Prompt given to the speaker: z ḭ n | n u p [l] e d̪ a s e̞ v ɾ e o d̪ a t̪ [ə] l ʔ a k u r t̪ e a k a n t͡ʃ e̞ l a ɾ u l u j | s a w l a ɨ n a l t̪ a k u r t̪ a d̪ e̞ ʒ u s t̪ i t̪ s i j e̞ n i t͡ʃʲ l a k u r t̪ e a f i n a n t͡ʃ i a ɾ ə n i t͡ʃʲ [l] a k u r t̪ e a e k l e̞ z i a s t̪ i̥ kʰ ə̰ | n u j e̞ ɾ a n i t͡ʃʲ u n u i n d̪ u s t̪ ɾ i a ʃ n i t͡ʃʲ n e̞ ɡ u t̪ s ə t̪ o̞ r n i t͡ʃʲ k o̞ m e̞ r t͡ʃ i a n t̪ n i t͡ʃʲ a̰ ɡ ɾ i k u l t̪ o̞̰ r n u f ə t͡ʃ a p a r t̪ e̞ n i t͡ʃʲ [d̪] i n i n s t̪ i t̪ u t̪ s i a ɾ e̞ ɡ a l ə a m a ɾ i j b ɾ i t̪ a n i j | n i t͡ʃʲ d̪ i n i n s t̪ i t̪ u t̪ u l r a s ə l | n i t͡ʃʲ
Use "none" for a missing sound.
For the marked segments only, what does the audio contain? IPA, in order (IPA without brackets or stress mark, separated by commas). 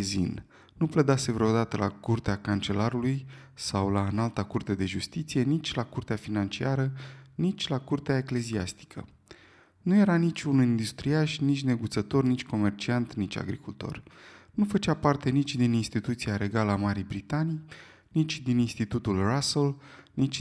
l, ə, l, d̪